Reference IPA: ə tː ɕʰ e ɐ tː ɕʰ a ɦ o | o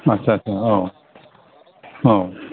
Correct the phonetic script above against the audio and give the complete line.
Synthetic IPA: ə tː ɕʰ a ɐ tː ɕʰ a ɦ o | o